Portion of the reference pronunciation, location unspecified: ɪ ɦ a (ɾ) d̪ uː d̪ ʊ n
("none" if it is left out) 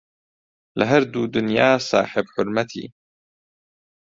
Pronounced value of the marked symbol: ɾ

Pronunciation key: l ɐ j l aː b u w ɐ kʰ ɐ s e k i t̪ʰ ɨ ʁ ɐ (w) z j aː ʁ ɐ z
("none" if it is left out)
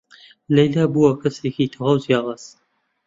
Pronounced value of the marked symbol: w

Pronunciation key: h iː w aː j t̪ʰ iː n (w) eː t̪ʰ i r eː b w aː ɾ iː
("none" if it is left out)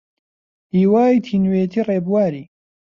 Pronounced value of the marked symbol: w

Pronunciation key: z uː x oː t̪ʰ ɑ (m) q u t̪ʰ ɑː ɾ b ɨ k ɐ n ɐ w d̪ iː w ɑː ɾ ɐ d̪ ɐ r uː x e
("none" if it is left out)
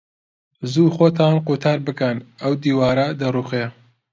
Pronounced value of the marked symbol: n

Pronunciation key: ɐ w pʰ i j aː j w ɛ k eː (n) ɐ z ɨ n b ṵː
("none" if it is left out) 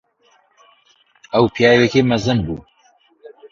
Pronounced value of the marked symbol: m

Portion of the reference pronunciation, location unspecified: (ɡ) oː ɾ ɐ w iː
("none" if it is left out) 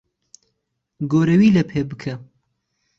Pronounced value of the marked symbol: ɡ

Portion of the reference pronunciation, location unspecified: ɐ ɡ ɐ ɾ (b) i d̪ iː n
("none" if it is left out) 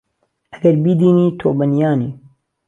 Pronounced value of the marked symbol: b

